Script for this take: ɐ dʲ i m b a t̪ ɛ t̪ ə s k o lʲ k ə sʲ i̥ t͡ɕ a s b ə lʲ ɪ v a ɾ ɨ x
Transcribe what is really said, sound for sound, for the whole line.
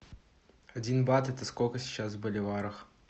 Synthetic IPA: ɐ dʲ i n b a t̪ ɛ t̪ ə s k o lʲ k ə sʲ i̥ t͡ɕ a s b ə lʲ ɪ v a ɾ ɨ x